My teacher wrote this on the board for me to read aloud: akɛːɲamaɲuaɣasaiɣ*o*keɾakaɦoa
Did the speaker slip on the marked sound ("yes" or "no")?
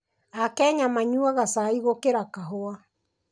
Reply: no